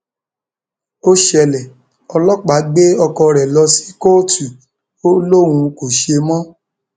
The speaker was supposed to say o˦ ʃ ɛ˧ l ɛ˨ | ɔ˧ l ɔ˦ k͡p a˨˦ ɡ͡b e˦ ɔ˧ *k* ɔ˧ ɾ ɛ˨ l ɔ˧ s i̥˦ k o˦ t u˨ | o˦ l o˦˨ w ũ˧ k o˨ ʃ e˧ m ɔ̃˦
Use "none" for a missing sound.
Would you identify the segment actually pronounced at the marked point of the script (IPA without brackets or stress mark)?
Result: k